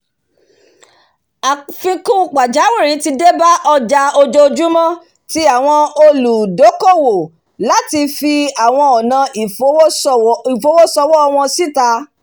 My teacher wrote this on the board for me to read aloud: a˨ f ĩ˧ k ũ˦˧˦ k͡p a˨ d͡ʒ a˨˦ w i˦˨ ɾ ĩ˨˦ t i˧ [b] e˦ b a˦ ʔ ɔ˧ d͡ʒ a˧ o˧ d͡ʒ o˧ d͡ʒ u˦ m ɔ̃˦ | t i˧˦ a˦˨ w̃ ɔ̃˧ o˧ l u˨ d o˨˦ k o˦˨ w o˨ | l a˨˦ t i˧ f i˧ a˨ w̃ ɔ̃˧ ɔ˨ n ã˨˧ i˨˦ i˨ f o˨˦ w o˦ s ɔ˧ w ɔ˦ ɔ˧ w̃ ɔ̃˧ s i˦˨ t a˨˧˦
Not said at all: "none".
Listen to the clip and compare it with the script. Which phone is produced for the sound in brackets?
d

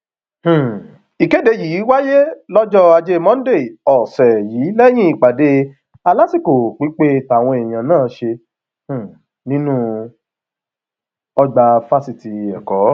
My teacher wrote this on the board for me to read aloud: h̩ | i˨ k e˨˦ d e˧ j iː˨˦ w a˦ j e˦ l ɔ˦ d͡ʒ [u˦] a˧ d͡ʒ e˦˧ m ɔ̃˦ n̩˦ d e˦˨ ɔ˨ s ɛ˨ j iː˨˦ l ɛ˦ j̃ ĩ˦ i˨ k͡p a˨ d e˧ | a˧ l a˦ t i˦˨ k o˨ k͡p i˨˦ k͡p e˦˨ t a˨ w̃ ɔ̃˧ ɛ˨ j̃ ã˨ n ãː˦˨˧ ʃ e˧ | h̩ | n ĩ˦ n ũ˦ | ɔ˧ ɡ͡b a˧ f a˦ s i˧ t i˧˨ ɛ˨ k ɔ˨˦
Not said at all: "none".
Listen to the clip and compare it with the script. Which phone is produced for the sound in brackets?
ɔ˦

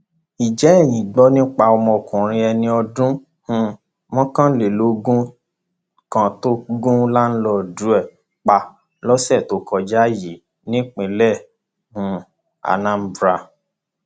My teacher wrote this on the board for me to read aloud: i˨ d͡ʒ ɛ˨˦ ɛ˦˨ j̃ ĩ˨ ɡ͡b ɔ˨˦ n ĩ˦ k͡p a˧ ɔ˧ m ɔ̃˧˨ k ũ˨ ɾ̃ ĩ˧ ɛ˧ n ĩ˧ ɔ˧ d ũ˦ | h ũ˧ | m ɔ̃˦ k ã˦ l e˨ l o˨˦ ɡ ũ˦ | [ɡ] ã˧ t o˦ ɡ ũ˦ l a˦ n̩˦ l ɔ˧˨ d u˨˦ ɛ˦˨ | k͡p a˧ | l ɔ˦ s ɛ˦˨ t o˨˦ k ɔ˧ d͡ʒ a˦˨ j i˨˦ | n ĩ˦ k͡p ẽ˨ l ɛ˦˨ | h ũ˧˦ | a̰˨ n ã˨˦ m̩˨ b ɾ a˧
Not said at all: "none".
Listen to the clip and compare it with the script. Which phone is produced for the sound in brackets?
k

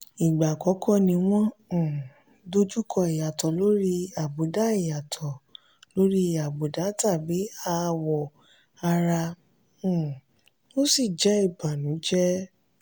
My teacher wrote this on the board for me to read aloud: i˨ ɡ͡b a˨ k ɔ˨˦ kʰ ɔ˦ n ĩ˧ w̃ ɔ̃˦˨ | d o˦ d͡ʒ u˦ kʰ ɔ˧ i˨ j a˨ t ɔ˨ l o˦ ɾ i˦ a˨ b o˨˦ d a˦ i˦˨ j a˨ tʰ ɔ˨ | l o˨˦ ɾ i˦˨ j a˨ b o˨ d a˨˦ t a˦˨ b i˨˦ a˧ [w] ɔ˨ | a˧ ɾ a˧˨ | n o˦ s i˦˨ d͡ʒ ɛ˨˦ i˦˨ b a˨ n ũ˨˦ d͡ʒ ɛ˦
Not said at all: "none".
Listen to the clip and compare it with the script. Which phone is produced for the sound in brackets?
w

